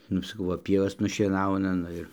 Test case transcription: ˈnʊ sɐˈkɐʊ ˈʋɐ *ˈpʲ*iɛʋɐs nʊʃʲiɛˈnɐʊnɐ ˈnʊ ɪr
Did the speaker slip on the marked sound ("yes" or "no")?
no